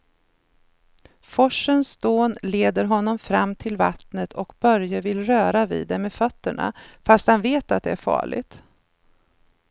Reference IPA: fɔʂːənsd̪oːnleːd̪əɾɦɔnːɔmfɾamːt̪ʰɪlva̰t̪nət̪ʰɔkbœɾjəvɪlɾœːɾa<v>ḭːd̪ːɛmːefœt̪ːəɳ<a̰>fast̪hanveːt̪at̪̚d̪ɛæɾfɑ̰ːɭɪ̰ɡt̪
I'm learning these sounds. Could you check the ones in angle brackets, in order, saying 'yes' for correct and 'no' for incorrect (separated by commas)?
yes, yes